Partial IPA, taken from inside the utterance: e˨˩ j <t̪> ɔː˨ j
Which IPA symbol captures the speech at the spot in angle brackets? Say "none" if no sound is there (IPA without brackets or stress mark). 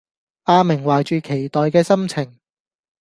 t̪